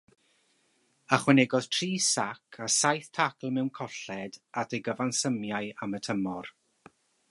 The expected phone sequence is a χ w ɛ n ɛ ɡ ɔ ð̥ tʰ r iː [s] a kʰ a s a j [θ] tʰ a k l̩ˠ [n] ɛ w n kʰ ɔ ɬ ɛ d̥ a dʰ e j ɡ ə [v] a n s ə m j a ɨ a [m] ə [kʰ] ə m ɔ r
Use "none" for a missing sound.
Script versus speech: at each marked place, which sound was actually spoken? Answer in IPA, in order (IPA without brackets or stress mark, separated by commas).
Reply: s, θ, m, v, m, tʰ